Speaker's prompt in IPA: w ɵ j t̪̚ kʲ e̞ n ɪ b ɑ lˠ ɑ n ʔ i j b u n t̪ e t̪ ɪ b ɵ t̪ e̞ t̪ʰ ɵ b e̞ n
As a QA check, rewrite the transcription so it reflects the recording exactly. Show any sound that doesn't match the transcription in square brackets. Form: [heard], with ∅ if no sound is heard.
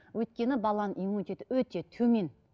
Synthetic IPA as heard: w ɵ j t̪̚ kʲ e̞ n ɪ b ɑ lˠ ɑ n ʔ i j [m] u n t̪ e t̪ ɪ [w] ɵ t̪ e̞ t̪ʰ ɵ [m] e̞ n